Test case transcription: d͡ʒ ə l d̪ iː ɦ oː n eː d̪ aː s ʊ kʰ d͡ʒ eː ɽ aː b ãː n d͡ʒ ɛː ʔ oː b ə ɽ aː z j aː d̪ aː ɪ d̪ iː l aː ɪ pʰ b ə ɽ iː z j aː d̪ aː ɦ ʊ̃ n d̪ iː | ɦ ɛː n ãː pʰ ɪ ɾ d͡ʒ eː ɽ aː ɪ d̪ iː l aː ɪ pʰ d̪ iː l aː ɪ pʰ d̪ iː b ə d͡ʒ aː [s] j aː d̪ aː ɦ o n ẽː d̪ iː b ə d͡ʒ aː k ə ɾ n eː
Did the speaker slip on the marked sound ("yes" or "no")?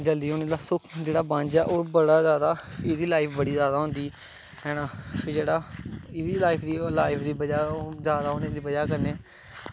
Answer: yes